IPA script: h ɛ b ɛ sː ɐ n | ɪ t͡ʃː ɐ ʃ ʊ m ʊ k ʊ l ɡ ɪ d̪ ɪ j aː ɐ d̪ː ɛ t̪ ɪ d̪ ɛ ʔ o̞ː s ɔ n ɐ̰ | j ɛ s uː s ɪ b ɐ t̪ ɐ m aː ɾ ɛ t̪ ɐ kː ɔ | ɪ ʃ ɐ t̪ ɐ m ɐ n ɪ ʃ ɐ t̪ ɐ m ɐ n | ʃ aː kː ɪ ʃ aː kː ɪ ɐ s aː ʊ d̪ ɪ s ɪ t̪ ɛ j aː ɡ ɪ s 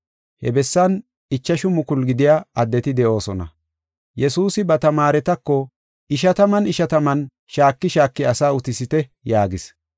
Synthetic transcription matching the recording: h ɛ b ɛ sː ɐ n | ɪ t͡ʃː ɐ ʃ ʊ m ʊ k ʊ l ɡ ɪ d̪ ɪ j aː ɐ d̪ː ɛ t̪ ɪ d̪ ɛ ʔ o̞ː s ɔ n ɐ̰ | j ɛ s uː s ɪ b ɐ t̪ ɐ m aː ɾ ɛ t̪ ɐ kː ɔ | ɪ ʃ ɐ t̪ ɐ m ɐ n ɪ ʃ ɐ t̪ ɐ m ɐ n | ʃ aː kː ɪ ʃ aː kː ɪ ɐ s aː ʊ t̪ ɪ s ɪ t̪ ɛ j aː ɡ ɪ s